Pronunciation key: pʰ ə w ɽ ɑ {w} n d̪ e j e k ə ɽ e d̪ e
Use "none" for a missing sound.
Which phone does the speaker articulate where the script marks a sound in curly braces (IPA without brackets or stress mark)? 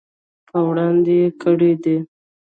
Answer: none